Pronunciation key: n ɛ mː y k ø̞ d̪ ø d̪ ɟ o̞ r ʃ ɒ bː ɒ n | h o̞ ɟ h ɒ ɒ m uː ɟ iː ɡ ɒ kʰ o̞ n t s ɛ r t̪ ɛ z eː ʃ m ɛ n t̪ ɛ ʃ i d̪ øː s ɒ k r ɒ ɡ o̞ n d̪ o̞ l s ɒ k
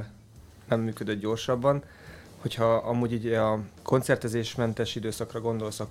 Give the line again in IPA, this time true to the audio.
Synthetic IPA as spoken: n ɛ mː yː k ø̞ d̪ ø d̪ ɟ o̞ r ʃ ɒ bː ɒ n | h o̞ c h ɒ ɒ m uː ɟ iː ɟ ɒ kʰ o̞ n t s ɛ r t̪ ɛ z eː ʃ m ɛ n t̪ ɛ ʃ i d̪ øː s ɒ k r ɒ ɡ o̞ n d̪ o̞ l s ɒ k